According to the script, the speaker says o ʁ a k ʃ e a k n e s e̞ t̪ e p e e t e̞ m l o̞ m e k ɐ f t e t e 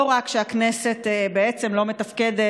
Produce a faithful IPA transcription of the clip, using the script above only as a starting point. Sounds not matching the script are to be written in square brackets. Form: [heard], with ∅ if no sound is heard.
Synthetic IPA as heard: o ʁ a k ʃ e a k n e s e̞ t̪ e [b] e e [t͡s] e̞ m l o̞ m e [t] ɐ f [k] e [d] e

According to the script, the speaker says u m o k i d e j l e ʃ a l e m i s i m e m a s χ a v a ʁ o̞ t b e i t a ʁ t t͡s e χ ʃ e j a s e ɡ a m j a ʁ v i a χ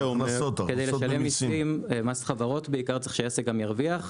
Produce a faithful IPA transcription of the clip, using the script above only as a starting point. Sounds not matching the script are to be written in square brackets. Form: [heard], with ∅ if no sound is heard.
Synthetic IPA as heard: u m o k [e] d e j l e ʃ a l e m i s i m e m a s χ a v a ʁ o̞ t b e i [k] a ʁ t t͡s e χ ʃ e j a s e ɡ a m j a ʁ v i a χ

